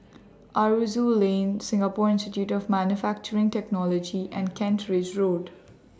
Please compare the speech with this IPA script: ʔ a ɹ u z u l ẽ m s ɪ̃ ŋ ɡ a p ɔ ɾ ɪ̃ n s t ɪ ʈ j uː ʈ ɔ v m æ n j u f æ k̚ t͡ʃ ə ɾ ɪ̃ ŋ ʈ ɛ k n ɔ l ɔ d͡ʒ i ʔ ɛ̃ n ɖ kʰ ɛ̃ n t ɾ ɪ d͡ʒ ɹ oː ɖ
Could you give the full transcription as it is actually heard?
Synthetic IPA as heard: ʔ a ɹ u z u l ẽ n s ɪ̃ ŋ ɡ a p ɔ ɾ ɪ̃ n s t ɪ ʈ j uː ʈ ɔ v m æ n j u f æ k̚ t͡ʃ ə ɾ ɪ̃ ŋ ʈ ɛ k n ɔ l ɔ d͡ʒ i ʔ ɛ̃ n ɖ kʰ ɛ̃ n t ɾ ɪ d͡ʒ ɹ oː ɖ